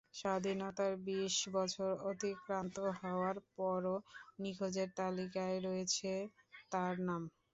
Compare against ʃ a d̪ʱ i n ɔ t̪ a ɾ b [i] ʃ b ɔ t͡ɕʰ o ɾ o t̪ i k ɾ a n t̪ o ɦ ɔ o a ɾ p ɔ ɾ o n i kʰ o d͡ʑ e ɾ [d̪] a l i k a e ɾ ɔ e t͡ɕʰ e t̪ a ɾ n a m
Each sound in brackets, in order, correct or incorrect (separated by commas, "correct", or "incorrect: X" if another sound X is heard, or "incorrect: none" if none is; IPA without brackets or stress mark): correct, incorrect: t̪